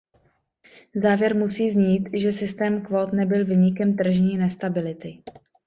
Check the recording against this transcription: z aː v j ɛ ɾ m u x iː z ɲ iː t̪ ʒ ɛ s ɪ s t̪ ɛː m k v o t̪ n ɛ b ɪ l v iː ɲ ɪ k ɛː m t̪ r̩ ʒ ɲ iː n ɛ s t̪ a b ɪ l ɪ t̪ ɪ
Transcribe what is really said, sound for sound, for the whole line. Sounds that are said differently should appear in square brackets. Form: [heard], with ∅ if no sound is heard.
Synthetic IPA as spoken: z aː v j ɛ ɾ m u [s] iː z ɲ iː t̪ ʒ ɛ s ɪ s t̪ ɛː m k v o t̪ n ɛ b ɪ l v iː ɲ ɪ k [ɛ] m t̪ r̩ ʒ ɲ iː n ɛ s t̪ a b ɪ l ɪ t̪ ɪ